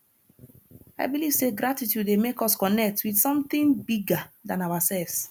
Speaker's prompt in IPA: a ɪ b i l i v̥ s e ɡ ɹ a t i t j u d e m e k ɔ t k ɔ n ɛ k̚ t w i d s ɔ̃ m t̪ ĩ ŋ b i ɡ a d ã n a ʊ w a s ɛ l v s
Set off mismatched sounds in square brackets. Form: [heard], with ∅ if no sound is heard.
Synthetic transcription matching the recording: a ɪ b i l i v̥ s e ɡ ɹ a t i t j u d e m e k ɔ [s] k ɔ n ɛ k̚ t w i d s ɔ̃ m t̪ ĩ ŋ b i ɡ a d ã n a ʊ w a s ɛ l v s